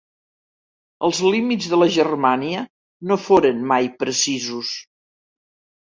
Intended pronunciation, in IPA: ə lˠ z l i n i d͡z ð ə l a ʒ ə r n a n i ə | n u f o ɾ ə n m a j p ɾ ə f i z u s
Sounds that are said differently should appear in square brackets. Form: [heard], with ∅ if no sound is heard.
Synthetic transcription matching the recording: ə lˠ z l i [m] i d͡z ð ə l [ə] ʒ ə r [m] a n i ə | n [o] f o ɾ ə n m a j p ɾ ə [s] i z u s